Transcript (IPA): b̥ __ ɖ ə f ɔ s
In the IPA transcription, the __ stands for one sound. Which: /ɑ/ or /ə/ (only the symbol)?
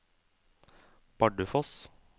ɑ